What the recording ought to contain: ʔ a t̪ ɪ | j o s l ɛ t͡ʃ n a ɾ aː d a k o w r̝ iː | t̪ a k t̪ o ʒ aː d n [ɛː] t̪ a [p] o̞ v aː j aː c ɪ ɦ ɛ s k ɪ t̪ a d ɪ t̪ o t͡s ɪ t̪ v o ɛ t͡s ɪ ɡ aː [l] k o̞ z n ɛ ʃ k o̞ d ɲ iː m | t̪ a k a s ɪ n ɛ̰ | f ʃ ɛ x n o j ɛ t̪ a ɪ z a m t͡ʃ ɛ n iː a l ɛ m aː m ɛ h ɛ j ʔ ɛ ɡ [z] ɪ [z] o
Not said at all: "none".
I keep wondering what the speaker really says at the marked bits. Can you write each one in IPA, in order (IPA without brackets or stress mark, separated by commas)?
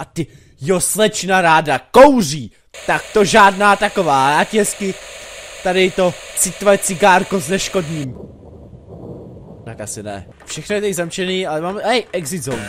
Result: aː, k, ɾ, z, z